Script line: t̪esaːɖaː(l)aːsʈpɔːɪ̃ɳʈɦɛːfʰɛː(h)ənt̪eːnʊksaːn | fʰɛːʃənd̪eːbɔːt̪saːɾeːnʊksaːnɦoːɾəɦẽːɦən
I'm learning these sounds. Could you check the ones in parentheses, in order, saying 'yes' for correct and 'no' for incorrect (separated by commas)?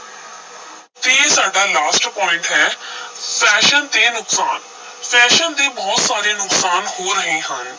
yes, no